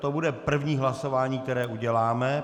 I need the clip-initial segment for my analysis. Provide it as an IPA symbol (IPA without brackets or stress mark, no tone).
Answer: t̪